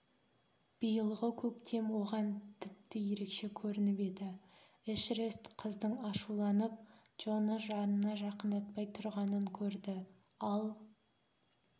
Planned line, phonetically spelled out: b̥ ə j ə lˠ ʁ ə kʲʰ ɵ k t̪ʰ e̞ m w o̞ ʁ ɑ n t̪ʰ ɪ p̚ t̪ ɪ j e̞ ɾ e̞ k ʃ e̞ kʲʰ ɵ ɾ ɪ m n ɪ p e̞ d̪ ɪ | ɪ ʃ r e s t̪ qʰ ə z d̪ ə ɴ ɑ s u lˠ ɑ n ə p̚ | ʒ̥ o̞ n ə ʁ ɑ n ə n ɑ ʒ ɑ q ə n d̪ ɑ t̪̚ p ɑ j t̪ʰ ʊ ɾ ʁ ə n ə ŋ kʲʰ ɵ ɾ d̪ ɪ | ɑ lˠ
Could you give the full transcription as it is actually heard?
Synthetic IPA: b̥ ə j ə lˠ ʁ ə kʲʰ ɵ k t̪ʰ e̞ m w o̞ ʁ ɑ n t̪ʰ ɪ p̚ t̪ ɪ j e̞ ɾ e̞ k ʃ e̞ kʲʰ ɵ ɾ ɪ n ɪ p e̞ d̪ ɪ | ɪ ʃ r e s t̪ qʰ ə z d̪ ə ɴ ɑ ʃ u lˠ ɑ n ə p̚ | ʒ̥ o̞ n ə ʒ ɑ n ə n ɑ ʒ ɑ q ə n d̪ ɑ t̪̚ p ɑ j t̪ʰ ʊ ɾ ʁ ɑ n ə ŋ kʲʰ ɵ ɾ d̪ ɪ | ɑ lˠ